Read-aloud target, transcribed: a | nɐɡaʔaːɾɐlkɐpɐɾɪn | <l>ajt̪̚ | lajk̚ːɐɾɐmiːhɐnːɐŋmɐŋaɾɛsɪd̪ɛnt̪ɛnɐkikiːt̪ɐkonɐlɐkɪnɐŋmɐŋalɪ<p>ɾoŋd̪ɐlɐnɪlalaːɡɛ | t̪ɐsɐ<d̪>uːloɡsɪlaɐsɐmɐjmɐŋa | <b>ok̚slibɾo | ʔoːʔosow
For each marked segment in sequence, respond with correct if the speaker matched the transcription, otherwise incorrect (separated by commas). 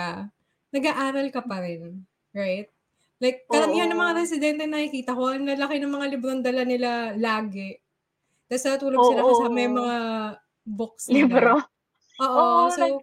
incorrect, incorrect, incorrect, correct